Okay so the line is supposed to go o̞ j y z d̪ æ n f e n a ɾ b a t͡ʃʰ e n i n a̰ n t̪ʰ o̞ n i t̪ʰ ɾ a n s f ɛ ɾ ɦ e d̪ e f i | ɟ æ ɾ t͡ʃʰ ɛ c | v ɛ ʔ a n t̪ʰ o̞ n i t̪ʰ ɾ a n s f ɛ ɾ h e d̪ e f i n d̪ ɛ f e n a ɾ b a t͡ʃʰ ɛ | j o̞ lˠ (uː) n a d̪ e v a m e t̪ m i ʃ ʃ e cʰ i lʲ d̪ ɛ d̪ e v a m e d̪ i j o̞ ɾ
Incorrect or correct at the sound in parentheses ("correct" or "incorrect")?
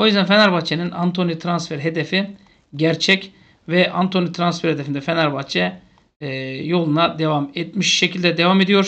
incorrect